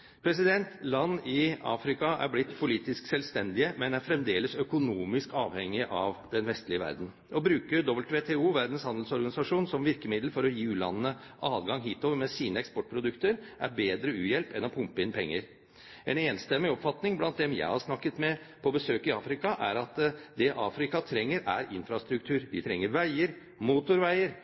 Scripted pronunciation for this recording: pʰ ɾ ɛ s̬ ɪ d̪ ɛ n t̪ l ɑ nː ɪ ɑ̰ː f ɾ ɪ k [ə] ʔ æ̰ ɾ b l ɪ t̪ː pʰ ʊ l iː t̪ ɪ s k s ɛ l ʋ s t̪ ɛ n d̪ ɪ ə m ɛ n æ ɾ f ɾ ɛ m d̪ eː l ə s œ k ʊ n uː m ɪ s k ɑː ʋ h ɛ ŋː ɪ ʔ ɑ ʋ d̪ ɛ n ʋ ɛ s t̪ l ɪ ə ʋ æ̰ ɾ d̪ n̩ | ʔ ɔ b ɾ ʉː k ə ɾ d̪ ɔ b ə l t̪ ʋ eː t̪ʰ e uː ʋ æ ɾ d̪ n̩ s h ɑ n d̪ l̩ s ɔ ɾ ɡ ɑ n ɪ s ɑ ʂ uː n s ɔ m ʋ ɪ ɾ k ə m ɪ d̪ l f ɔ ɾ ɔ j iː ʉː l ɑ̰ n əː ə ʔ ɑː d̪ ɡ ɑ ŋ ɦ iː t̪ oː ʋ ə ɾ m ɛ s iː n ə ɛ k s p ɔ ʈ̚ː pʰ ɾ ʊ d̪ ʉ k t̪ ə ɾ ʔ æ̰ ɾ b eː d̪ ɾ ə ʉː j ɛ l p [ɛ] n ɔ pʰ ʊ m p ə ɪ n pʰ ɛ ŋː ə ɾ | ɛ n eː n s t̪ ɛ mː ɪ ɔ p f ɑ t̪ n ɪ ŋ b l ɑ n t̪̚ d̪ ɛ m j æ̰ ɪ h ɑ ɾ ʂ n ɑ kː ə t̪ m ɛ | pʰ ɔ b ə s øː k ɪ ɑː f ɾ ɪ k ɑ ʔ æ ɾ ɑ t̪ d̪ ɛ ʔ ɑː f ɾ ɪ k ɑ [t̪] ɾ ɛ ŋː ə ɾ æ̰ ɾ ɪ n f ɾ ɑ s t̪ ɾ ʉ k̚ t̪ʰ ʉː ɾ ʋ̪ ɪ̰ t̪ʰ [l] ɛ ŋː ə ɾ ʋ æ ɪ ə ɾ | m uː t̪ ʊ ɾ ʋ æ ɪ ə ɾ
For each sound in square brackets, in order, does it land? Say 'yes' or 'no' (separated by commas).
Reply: no, yes, no, no